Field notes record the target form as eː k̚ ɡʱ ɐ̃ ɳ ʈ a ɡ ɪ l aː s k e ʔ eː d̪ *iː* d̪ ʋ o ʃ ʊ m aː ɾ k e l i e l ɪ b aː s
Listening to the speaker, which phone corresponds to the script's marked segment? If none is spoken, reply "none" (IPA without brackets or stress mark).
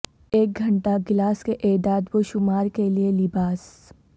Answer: aː